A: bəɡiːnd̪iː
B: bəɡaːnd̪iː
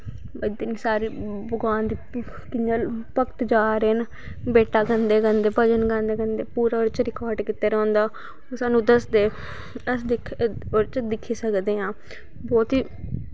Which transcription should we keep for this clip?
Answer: B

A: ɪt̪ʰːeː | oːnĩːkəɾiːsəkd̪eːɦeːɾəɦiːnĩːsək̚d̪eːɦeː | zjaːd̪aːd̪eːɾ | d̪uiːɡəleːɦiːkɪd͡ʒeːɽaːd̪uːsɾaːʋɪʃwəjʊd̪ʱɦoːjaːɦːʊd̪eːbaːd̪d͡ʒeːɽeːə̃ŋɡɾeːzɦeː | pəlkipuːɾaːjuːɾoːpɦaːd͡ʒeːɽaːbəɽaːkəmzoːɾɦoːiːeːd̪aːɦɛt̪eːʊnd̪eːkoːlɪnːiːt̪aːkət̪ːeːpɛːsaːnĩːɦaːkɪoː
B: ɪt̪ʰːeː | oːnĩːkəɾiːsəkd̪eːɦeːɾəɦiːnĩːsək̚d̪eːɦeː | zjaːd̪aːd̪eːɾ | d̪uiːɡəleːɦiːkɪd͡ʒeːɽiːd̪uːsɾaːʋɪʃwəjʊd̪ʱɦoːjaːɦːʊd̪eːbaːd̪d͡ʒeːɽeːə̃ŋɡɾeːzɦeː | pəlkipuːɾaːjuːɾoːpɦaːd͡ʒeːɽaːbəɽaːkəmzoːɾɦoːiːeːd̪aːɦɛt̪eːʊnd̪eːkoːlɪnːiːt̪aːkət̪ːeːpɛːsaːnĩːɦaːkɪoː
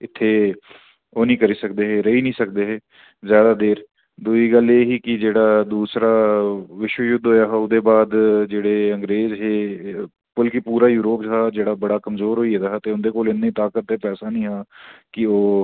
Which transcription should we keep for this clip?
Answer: A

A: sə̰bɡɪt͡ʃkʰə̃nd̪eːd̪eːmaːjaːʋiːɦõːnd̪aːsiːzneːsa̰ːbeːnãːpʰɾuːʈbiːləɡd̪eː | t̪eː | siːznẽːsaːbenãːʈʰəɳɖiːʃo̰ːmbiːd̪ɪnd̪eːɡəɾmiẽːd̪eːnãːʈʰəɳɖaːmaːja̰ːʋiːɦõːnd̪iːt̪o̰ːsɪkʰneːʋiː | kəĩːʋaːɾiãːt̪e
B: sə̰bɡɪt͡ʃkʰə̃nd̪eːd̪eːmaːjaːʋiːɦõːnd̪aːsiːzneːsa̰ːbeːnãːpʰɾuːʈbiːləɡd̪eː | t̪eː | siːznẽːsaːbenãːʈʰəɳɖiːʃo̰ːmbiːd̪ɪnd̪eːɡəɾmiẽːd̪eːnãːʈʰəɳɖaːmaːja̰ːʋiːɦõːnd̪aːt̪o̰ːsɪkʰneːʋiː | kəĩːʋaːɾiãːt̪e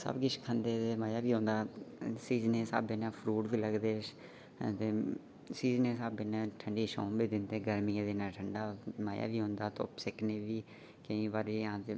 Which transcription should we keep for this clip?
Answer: B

